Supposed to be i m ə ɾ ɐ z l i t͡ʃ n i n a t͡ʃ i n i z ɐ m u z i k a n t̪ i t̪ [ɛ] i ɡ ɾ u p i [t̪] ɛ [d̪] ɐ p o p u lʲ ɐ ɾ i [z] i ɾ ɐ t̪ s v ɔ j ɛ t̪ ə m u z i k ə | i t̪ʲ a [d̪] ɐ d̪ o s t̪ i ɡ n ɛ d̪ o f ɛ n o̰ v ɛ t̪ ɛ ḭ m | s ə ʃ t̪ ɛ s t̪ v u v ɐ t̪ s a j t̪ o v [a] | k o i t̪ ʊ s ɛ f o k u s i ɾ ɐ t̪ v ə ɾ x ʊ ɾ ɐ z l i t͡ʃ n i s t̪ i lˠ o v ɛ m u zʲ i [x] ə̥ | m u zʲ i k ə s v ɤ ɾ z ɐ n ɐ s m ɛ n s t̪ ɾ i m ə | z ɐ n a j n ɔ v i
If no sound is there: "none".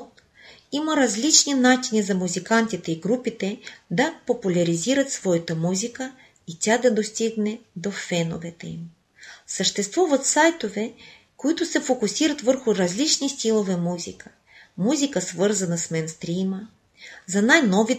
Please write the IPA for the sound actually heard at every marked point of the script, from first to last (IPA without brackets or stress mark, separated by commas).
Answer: ɛ, t̪, d̪, z, d̪, ɛ, k